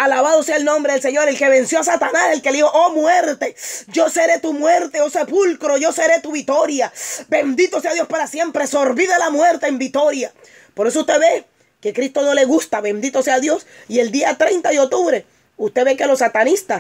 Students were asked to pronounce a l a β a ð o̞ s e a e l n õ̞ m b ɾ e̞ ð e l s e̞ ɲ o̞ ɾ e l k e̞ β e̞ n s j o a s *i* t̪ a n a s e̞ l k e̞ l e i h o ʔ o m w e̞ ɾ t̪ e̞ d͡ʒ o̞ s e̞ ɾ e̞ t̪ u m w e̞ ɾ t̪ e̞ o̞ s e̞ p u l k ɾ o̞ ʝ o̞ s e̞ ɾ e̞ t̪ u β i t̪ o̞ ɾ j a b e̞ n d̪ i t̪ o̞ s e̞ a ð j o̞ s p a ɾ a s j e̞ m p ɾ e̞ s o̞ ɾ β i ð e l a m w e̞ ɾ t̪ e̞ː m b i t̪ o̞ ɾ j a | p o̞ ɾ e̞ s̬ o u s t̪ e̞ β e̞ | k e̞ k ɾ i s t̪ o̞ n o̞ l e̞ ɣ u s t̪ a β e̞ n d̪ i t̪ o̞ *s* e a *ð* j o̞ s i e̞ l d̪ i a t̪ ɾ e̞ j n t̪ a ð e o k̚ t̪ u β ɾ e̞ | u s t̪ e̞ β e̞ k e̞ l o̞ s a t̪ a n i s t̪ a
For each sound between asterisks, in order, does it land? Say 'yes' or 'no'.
no, yes, yes

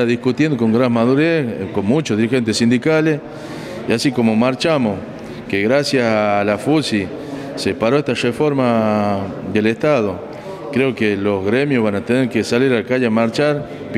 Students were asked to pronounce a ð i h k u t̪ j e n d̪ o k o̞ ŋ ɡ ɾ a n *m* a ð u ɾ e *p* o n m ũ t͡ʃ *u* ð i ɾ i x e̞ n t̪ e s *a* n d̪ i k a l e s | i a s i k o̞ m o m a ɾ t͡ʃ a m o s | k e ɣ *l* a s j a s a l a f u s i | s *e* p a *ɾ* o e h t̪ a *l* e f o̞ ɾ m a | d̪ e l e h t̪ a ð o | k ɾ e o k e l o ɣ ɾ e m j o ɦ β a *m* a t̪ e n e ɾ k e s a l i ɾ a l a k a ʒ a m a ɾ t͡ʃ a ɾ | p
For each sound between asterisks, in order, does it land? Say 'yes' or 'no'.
yes, no, no, no, no, yes, yes, no, no

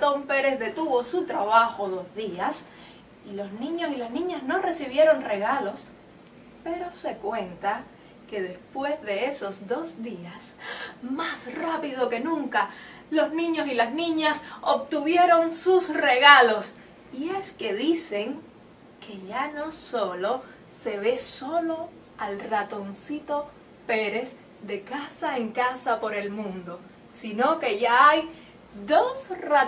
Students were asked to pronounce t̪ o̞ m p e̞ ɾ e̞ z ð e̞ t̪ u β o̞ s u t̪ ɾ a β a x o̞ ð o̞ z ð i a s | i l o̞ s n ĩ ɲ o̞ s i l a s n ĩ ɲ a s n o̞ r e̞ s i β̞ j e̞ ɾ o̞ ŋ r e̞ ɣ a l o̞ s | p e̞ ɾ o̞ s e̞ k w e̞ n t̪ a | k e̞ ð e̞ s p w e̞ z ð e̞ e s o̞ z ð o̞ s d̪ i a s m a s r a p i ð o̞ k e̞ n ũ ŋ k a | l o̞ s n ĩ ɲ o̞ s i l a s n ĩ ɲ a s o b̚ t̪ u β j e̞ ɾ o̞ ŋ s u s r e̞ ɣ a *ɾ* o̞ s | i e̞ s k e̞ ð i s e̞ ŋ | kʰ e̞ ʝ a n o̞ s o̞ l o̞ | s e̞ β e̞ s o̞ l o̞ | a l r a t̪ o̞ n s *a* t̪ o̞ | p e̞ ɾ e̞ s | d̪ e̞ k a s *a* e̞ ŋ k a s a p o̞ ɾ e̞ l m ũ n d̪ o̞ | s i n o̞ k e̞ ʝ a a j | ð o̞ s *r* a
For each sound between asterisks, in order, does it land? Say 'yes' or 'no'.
no, no, yes, yes

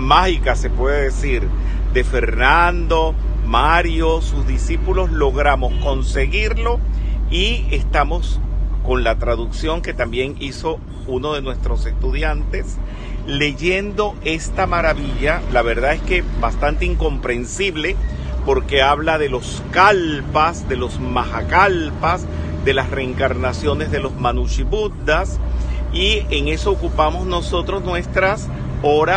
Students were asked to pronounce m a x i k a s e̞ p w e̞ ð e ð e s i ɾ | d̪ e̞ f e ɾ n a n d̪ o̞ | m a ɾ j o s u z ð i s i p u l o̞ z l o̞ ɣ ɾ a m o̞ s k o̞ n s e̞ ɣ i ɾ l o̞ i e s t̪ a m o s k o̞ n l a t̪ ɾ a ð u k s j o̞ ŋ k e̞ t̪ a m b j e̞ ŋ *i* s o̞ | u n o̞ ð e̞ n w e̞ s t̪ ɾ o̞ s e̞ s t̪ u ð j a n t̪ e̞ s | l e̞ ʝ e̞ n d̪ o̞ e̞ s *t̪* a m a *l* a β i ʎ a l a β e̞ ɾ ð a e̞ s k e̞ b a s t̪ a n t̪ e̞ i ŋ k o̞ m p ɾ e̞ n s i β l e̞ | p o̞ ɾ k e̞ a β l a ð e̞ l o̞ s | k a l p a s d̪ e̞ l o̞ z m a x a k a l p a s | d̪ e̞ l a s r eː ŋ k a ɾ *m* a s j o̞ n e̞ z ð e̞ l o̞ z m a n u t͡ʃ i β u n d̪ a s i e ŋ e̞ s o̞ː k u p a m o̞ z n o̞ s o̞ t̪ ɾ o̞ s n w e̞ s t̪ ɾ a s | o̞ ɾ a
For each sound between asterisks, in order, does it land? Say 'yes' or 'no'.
yes, yes, no, no

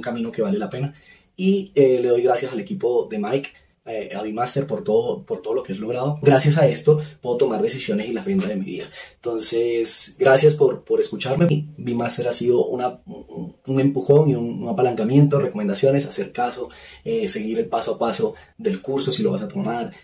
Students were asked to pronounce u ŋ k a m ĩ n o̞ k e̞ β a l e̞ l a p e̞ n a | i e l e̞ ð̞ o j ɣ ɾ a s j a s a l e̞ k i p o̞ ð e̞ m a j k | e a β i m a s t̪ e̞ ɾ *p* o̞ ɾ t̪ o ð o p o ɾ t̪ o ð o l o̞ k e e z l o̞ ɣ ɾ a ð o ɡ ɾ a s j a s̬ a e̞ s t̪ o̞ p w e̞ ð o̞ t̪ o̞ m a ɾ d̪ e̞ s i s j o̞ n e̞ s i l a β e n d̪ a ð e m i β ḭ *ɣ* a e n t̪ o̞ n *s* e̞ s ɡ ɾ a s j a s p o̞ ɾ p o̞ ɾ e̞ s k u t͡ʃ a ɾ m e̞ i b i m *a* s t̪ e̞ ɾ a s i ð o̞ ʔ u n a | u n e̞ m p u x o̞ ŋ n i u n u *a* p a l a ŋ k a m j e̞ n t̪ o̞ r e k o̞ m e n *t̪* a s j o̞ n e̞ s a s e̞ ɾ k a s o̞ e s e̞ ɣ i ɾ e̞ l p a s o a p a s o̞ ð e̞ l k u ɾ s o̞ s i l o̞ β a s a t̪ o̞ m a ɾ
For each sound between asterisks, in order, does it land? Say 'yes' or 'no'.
yes, no, yes, yes, yes, no

